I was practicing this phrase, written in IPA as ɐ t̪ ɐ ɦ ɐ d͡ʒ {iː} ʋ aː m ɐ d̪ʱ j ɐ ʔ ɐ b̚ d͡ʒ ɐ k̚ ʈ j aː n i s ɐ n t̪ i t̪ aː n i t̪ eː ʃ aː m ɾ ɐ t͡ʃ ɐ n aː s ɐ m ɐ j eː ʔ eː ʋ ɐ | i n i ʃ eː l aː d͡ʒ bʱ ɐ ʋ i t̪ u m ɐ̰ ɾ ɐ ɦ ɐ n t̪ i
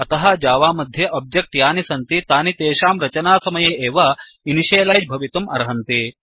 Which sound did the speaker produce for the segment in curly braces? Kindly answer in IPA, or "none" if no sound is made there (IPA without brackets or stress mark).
aː